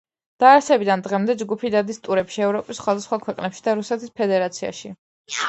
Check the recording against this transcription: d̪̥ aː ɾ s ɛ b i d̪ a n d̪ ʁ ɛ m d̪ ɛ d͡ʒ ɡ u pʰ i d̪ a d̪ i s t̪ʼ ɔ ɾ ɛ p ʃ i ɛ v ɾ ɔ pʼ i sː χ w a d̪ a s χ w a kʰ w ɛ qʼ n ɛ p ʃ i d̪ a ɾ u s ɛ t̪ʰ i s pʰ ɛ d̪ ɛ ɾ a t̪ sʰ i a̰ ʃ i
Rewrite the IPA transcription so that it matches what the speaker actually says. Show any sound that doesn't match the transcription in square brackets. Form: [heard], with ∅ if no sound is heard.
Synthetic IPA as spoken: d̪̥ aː ɾ s ɛ b i d̪ a n d̪ ʁ ɛ m d̪ ɛ d͡ʒ ɡ u pʰ i d̪ a d̪ i s t̪ʼ [u] ɾ ɛ p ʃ i ɛ v ɾ ɔ pʼ i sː χ w a d̪ a s χ w a kʰ w ɛ qʼ n ɛ p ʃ i d̪ a ɾ u s ɛ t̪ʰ i s pʰ ɛ d̪ ɛ ɾ a t̪ sʰ i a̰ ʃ i